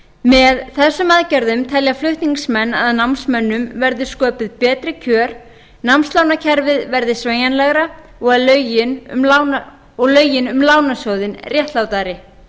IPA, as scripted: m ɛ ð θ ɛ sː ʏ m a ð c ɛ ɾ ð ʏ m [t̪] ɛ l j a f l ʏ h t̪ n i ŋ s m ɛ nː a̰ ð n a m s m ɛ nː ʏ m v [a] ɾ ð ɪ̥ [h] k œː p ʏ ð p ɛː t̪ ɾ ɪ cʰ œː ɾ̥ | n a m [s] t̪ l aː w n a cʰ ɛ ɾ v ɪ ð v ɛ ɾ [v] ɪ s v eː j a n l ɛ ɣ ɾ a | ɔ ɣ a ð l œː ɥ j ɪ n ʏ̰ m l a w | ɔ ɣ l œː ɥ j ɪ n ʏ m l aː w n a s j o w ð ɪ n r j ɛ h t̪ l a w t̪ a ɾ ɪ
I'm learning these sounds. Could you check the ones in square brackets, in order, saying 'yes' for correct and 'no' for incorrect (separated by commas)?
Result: no, no, no, yes, no